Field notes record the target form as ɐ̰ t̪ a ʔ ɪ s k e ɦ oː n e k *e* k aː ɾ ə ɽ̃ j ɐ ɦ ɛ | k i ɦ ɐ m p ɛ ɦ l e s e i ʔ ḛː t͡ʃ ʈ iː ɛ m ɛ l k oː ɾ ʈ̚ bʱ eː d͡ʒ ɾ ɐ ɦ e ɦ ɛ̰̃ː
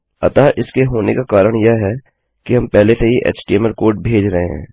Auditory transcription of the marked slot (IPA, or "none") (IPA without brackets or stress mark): a